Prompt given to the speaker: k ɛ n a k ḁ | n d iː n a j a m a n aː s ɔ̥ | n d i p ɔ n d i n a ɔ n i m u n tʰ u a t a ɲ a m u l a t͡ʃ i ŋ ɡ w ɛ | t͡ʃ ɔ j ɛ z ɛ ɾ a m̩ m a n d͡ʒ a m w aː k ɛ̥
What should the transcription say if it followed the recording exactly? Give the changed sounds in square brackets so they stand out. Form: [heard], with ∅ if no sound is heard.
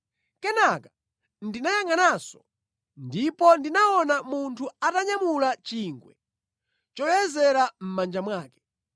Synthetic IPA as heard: k ɛ n a k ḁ | n d [i] n a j a [ŋ] a n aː s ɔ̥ | n d i p ɔ n d i n a ɔ n [a] m u n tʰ u a t a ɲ a m u l a t͡ʃ i ŋ ɡ w ɛ | t͡ʃ ɔ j ɛ z ɛ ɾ a m̩ m a n d͡ʒ a m w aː k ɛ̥

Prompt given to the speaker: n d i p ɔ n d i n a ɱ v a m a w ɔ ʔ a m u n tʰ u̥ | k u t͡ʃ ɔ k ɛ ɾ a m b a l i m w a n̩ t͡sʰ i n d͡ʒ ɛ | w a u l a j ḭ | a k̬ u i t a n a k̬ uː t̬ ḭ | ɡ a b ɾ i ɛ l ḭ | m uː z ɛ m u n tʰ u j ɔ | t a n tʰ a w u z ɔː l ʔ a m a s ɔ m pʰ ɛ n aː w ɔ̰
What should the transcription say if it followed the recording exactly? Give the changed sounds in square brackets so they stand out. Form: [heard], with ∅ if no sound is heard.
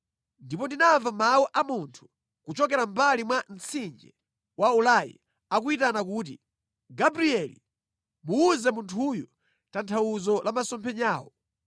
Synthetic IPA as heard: n d i p ɔ n d i n a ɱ v a m a w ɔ ʔ a m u n tʰ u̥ | k u t͡ʃ ɔ k ɛ ɾ a m b a l i m w a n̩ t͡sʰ i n d͡ʒ ɛ | w a u l a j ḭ | a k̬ u i t a n a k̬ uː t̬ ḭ | ɡ a b ɾ i ɛ l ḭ | m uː z ɛ m u n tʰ u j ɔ | t a n tʰ a w u z [ɔ] l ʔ a m a s ɔ m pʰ ɛ [ɲ] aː w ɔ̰

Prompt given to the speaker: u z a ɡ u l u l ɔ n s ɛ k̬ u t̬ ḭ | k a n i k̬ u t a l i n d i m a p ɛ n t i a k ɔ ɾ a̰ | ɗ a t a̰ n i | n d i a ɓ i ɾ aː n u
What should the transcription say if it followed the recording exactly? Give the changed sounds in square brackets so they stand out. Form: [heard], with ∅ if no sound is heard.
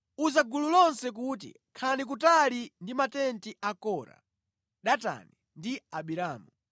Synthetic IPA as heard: u z a ɡ u l u l ɔ n s ɛ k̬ u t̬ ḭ | [kʰ] a n i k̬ u t a l i n d i m a [t] ɛ n t i a k ɔ ɾ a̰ | ɗ a t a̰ n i | n d i a ɓ i ɾ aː [m] u

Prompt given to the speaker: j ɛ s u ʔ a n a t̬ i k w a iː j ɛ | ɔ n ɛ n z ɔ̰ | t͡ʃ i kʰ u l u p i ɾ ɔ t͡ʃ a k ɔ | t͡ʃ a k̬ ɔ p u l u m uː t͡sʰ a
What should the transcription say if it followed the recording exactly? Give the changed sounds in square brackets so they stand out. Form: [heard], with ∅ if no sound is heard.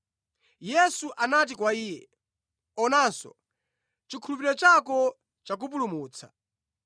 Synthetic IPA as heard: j ɛ s u ʔ a n a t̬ i k w a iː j ɛ | ɔ n [a] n [s] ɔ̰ | t͡ʃ i kʰ u l u p i ɾ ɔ t͡ʃ a k ɔ | t͡ʃ a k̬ [u] p u l u m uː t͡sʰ a

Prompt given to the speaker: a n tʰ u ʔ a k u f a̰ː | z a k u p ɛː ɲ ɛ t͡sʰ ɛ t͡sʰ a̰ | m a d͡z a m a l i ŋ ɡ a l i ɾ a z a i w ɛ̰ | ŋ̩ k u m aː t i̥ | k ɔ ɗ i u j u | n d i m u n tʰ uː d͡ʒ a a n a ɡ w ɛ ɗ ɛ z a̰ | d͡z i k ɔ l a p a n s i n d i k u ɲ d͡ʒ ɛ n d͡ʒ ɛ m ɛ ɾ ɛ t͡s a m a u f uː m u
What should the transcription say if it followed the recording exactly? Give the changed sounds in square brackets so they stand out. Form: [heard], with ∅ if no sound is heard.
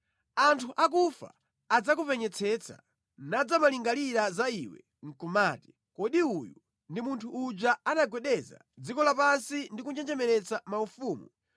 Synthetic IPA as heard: a n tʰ u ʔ a k u f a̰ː | [d͡z] a k u p [ɛ] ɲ ɛ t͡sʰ ɛ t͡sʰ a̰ | [n] a d͡z a m a l i ŋ ɡ a l i ɾ a z a i w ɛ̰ | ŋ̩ k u m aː t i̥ | k ɔ ɗ i u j u | n d i m u n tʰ uː d͡ʒ a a n a ɡ w ɛ ɗ ɛ z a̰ | d͡z i k ɔ l a p a n s i n d i k u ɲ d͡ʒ ɛ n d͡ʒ ɛ m ɛ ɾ ɛ t͡s a m a u f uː m u

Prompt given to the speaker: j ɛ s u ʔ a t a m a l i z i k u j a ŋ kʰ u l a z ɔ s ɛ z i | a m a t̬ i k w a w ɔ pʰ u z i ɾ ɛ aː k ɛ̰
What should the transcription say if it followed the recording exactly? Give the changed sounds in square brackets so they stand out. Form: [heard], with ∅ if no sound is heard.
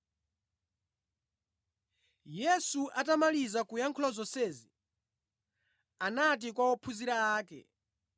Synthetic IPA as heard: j ɛ s u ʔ a t a m a l i z [a] k u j a ŋ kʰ u l a z ɔ s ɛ z i | a [n] a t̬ i k w a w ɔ pʰ u z i ɾ [a] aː k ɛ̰

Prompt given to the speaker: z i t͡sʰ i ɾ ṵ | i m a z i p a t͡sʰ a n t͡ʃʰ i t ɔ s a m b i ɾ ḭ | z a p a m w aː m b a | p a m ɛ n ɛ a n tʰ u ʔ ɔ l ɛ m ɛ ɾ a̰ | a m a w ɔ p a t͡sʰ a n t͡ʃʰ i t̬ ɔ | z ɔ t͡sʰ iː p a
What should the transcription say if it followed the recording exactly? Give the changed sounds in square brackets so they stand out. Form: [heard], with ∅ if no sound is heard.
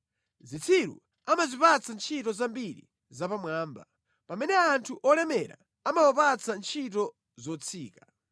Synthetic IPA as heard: z i t͡sʰ i ɾ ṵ | [a] m a z i p a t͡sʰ a n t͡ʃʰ i t ɔ [z] a m b i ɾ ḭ | z a p a m w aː m b a | p a m ɛ n ɛ a n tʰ u ʔ ɔ l ɛ m ɛ ɾ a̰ | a m a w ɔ p a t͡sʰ a n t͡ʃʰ i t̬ ɔ | z ɔ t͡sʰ iː [k] a

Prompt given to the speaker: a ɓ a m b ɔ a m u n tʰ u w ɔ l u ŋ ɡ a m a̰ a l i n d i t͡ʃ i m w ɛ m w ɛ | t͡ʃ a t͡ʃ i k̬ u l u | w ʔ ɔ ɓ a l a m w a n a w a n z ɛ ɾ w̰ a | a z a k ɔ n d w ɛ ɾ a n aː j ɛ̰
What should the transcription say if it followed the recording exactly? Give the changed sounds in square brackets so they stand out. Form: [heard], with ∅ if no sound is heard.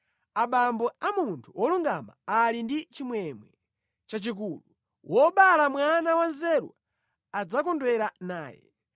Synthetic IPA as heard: a ɓ a m b ɔ a m u n tʰ u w ɔ l u ŋ ɡ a m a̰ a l i n d i t͡ʃ i m w ɛ m w ɛ | t͡ʃ a t͡ʃ i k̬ u l u | w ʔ ɔ ɓ a l a m w a n a w a n z ɛ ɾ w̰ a | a [d͡z] a k ɔ n d w ɛ ɾ a n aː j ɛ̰

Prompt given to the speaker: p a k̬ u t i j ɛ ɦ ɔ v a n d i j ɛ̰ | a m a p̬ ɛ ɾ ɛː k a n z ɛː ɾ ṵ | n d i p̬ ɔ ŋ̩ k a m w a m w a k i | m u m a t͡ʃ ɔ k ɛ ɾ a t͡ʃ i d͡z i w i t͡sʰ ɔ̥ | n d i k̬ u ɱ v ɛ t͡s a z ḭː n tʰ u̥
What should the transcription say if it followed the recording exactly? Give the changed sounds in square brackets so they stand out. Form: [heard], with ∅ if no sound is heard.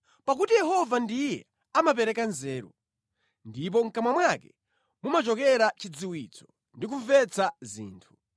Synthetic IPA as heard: p a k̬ u t i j ɛ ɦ ɔ v a n d i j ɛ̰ | a m a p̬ ɛ ɾ [ɛ] k a n z ɛː ɾ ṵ | n d i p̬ ɔ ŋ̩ k a m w a m w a k [ɛ] | m u m a t͡ʃ ɔ k ɛ ɾ a t͡ʃ i d͡z i w i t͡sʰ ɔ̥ | n d i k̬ u ɱ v ɛ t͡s a z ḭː n tʰ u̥

